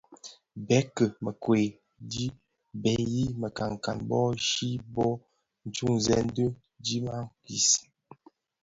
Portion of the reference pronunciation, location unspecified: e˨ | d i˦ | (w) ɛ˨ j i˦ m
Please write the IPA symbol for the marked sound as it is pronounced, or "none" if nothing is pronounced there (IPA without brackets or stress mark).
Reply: b